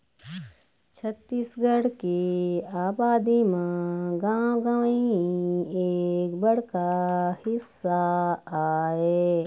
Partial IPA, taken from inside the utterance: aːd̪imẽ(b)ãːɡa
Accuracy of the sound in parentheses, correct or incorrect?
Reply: incorrect